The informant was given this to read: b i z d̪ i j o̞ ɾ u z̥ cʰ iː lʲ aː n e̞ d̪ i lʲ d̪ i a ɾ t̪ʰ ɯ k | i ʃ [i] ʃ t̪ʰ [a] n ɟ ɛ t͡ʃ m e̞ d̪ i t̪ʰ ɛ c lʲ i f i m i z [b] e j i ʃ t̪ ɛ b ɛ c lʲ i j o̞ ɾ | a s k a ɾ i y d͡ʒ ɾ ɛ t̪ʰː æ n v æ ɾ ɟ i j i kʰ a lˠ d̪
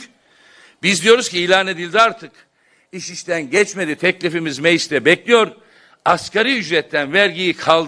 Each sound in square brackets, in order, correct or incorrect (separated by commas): correct, incorrect, incorrect